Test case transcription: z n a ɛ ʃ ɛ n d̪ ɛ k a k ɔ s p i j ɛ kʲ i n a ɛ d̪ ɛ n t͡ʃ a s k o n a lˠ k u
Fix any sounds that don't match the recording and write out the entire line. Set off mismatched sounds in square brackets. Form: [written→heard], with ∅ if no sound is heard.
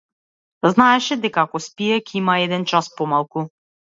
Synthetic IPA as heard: z n a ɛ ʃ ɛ [n→∅] d̪ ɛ k a k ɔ s p i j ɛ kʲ i [n→m] a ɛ d̪ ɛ n t͡ʃ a s [k→p] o [n→m] a lˠ k u